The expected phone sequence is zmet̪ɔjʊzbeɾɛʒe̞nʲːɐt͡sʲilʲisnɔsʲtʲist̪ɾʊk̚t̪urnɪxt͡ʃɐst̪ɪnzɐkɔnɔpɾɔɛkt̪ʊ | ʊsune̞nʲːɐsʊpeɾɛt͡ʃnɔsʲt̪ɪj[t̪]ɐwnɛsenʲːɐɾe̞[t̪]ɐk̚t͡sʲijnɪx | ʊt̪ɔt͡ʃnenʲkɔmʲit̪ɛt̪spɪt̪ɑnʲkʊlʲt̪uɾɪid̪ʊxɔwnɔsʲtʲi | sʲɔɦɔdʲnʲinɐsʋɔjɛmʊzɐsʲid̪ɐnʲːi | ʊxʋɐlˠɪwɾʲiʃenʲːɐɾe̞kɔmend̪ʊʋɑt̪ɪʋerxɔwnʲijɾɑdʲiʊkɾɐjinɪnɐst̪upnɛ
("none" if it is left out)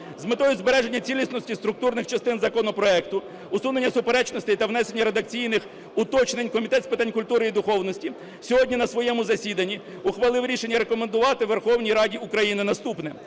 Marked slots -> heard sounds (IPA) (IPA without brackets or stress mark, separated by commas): t̪, d̪